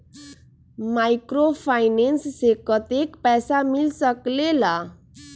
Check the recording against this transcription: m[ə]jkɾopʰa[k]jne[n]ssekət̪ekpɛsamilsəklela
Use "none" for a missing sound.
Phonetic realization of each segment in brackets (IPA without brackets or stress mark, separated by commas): a, none, n